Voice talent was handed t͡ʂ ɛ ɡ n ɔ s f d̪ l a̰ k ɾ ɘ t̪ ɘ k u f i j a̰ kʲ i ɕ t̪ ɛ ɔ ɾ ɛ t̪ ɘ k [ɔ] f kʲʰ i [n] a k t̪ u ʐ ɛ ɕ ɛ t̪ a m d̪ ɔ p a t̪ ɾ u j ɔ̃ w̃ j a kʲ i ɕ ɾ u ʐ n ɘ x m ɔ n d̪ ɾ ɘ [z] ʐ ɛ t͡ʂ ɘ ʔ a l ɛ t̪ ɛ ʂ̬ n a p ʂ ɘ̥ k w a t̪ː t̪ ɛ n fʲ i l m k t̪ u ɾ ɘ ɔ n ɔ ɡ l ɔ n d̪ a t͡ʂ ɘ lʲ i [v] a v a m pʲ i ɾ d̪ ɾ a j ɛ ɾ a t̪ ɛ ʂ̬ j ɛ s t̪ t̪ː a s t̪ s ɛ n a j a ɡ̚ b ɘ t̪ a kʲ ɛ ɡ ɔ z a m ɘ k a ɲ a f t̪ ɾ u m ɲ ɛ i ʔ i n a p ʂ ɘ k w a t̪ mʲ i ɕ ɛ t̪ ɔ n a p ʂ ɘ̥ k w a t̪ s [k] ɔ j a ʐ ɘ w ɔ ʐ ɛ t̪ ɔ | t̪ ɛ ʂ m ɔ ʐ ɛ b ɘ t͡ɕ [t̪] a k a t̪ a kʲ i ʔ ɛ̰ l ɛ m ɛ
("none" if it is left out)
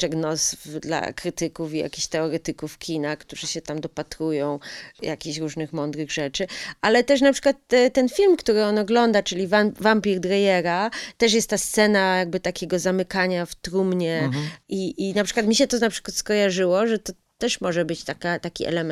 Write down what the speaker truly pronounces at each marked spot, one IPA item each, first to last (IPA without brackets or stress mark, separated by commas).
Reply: u, n, ɣ, v, k, t̪